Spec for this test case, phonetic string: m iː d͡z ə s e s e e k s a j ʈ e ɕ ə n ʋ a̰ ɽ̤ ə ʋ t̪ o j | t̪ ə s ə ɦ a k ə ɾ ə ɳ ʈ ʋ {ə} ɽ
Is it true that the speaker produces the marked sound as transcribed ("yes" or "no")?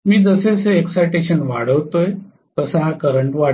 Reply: no